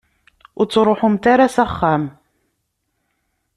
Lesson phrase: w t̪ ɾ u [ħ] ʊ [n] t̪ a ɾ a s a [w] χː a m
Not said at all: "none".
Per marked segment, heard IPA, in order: ħ, m, none

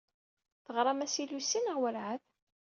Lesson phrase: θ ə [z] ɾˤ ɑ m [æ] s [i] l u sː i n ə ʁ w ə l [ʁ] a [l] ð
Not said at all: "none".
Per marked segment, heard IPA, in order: ʁ, æ, i, ʕ, none

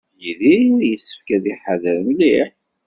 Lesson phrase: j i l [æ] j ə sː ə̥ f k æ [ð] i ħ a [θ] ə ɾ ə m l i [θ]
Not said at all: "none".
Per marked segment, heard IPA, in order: i, ð, ð, ħ

